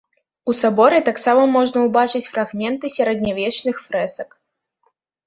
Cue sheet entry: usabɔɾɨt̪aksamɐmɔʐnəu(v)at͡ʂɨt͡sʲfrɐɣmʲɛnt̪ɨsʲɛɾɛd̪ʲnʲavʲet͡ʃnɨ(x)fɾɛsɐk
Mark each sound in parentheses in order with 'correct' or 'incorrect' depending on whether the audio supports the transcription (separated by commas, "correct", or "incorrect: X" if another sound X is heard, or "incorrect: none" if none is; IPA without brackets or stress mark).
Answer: incorrect: b, correct